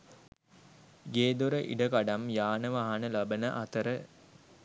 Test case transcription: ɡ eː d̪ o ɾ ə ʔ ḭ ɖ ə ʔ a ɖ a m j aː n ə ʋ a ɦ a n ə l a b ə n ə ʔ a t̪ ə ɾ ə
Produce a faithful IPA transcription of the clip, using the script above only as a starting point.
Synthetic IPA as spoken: ɡ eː d̪ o ɾ ə ʔ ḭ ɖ ə k a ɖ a m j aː n ə ʋ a ɦ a n ə l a b ə n ə ʔ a t̪ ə ɾ ə